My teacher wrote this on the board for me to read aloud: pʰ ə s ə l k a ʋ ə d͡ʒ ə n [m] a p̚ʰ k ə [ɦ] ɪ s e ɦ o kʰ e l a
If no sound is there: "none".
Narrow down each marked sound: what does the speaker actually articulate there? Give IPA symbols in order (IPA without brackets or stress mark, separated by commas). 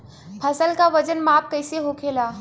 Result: m, none